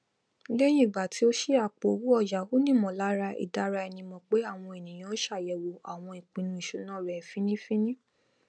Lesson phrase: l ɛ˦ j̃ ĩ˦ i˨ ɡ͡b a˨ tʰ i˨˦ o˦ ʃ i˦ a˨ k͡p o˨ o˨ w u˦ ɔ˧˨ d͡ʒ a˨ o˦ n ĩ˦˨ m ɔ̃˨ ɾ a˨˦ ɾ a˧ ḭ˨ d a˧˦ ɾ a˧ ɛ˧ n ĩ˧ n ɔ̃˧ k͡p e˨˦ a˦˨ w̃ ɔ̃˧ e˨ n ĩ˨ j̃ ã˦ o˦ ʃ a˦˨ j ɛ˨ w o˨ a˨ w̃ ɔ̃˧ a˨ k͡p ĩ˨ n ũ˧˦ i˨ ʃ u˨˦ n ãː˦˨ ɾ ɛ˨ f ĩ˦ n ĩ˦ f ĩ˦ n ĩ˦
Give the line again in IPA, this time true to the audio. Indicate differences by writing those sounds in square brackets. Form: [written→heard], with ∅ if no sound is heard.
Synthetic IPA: l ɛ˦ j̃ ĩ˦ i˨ ɡ͡b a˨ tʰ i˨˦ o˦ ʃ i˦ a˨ k͡p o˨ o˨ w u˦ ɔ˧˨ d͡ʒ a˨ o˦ n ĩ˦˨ m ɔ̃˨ [ɾ→l] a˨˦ ɾ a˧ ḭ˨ d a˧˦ ɾ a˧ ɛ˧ n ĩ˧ [n→m] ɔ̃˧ k͡p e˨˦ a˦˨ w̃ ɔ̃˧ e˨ n ĩ˨ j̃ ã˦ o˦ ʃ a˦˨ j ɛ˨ w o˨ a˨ w̃ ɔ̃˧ [a˨→i˨] k͡p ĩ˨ n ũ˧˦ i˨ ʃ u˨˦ n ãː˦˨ ɾ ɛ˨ f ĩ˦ n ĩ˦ f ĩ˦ n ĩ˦